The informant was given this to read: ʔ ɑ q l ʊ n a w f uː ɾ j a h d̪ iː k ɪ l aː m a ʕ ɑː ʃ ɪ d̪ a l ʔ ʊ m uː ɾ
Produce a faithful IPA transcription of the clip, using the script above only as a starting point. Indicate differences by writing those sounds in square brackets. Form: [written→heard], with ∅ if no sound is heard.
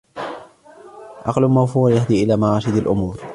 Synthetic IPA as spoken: ʔ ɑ q l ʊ [n→m] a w f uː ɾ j a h d̪ iː [k→ʔ] ɪ l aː m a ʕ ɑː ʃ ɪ d̪ a l ʔ ʊ m uː ɾ